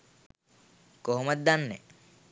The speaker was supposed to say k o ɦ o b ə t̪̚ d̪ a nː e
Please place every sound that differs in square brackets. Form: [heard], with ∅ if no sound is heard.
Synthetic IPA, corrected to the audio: k o ɦ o [m] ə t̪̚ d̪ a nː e